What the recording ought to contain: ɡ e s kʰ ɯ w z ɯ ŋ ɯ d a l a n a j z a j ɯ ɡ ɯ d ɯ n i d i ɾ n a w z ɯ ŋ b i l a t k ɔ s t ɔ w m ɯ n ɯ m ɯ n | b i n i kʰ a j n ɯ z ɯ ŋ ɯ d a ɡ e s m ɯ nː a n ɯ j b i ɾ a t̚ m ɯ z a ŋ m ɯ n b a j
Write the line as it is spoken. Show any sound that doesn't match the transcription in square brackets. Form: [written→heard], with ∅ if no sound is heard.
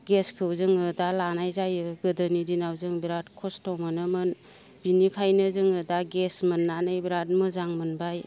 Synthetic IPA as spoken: ɡ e s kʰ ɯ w z ɯ ŋ ɯ d a l a n a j z a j ɯ ɡ ɯ d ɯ n i d i [ɾ→∅] n a w z ɯ ŋ b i [l→ɾ] a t [k→kʰ] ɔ s t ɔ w m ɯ n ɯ m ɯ n | b i n i kʰ a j n ɯ z ɯ ŋ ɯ d a ɡ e s m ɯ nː a n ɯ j b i ɾ a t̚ m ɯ z a ŋ m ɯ n b a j